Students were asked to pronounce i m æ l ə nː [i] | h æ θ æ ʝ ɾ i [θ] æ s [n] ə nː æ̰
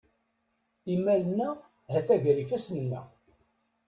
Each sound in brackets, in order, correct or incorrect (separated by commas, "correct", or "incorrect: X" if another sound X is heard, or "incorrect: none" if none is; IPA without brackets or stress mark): incorrect: æ, incorrect: f, correct